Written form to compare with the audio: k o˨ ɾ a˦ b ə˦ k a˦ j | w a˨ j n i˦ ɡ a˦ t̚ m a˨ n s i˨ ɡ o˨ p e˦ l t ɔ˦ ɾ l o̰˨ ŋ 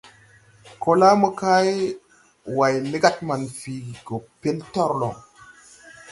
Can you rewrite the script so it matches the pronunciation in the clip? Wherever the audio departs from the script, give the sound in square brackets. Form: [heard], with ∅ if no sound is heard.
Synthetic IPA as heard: k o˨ [l] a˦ [m] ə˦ k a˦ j | w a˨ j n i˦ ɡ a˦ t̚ m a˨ n [f] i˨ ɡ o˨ p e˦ l t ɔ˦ ɾ l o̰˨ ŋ